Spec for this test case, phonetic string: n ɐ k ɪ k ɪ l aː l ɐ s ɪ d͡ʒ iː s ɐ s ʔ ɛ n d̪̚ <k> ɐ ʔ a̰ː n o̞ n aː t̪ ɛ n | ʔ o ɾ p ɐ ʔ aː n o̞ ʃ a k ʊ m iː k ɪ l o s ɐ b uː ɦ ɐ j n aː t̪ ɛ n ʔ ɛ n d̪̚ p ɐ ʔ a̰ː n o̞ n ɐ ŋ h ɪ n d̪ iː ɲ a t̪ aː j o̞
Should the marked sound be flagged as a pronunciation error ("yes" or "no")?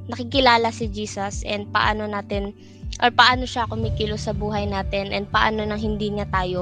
yes